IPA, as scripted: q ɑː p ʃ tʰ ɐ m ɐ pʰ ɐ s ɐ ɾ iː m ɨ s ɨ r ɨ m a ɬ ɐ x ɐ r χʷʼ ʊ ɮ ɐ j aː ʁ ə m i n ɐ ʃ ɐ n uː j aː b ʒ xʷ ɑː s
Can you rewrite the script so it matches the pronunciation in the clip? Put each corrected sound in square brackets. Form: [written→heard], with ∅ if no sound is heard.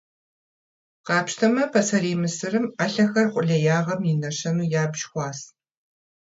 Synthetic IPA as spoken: q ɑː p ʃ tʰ ɐ m ɐ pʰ ɐ s ɐ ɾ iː m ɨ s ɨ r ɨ m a ɬ ɐ x ɐ r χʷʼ ʊ ɮ ɐ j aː ʁ [ə→ɐ] m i n ɐ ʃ ɐ n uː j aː b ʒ xʷ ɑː s